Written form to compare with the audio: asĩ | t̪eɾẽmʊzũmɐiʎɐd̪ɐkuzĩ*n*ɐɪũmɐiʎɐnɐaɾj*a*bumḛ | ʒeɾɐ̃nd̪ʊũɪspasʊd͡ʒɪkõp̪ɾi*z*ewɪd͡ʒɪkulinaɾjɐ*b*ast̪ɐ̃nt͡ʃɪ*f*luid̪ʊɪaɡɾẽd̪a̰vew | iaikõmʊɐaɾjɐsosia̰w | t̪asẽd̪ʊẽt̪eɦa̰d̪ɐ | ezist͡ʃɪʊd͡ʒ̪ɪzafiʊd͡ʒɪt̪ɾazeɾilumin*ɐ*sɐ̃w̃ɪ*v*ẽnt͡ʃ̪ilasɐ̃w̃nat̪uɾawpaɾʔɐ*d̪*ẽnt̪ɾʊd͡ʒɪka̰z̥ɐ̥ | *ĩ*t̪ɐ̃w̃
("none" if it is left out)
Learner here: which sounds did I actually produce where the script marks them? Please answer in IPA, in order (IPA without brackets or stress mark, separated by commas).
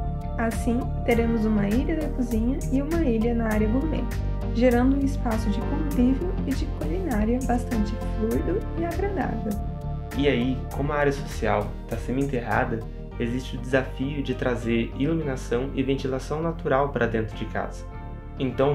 ɲ, ɐ, v, b, f, a, v, d̪, ẽ